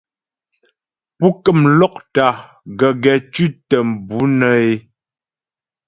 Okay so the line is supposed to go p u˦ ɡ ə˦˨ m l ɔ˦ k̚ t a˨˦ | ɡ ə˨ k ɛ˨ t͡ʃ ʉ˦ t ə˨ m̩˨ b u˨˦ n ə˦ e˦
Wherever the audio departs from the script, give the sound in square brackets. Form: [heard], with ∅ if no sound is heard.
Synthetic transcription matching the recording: p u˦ [k] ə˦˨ m l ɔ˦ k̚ t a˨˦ | ɡ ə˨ [ɡ] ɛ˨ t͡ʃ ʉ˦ t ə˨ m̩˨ b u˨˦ n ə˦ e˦

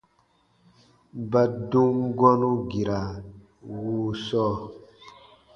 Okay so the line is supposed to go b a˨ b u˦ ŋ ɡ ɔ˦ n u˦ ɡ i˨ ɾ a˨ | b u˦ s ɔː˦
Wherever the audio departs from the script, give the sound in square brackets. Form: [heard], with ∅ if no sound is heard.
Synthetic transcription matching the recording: b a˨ [d] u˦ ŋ ɡ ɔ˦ n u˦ ɡ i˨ ɾ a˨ | [w] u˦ s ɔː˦

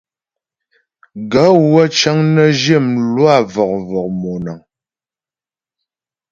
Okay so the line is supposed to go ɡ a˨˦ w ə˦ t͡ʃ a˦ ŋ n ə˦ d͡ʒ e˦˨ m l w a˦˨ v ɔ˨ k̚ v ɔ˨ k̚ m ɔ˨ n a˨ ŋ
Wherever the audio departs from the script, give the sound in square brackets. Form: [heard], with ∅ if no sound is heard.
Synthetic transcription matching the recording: ɡ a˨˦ w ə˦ t͡ʃ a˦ ŋ n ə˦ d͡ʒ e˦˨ m l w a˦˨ v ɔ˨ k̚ v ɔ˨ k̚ m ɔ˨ n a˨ ŋ

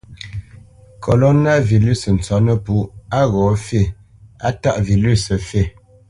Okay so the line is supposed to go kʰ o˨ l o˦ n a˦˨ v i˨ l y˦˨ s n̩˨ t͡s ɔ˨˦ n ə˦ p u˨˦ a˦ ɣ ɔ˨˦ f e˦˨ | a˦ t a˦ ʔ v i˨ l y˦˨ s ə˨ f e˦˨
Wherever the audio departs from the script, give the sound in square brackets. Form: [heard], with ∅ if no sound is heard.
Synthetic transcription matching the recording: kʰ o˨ l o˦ n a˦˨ v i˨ l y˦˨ s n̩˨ t͡s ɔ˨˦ n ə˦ p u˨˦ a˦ ɣ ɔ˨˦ f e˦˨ | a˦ t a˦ ʔ v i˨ l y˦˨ s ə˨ f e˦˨

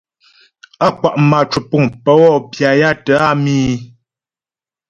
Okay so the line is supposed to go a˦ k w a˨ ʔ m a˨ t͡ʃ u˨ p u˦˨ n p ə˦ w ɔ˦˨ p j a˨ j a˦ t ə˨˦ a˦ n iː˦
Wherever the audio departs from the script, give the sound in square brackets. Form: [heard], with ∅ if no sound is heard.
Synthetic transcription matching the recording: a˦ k w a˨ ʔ m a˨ t͡ʃ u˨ p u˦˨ [ŋ] p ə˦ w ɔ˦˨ p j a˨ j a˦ t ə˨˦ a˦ [m] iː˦

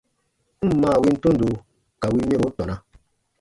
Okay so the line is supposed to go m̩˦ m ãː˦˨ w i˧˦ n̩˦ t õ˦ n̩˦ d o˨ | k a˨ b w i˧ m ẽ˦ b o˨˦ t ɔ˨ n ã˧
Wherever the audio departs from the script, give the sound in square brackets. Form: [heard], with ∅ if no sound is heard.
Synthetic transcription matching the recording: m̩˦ m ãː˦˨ w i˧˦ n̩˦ t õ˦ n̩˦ d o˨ | k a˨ [∅] w i˧ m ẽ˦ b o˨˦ t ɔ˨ n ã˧

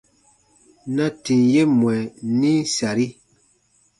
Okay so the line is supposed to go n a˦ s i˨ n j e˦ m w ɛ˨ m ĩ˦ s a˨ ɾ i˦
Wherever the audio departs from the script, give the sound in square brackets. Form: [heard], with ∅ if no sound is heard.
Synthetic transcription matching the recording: n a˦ [t] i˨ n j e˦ m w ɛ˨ [n] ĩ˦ s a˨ ɾ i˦

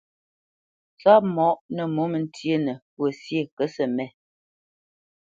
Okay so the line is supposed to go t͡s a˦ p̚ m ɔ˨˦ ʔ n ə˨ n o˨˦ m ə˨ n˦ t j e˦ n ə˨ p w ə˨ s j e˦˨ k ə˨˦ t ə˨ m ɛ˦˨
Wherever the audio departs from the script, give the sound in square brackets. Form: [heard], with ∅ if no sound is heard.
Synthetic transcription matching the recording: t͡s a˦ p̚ m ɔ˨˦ ʔ n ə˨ [m] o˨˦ m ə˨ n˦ t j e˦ n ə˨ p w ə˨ s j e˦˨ k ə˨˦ [s] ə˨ m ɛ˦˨

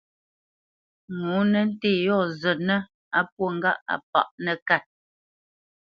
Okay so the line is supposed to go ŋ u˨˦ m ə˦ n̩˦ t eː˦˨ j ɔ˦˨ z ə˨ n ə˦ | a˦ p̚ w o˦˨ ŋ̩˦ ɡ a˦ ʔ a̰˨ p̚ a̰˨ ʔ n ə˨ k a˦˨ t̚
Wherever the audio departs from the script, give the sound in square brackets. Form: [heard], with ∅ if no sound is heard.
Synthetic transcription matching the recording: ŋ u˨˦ [n] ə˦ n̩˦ t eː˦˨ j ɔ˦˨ z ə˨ n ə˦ | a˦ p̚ w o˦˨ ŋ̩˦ ɡ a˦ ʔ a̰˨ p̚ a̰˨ ʔ n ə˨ k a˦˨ t̚

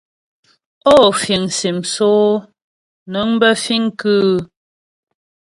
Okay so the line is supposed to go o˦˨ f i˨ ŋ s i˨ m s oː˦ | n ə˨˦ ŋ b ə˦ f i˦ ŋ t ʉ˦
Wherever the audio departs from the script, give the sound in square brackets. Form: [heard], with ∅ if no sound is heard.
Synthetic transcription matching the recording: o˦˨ f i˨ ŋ s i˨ m s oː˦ | n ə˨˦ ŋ b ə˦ f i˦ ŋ [k] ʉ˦

